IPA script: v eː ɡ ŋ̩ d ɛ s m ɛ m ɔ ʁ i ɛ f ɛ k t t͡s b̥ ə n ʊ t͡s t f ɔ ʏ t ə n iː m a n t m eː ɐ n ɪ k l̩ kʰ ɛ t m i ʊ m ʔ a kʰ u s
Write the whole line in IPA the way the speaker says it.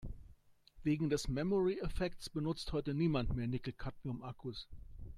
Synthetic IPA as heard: v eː ɡ ŋ̩ d ɛ s m ɛ m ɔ ʁ i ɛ f ɛ k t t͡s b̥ ə n ʊ t͡s t h ɔ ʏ t ə n iː m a n t m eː ɐ n ɪ k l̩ kʰ a t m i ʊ m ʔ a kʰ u s